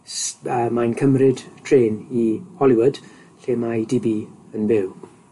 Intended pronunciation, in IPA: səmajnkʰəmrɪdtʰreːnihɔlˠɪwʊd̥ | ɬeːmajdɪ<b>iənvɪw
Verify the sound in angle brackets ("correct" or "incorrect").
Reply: correct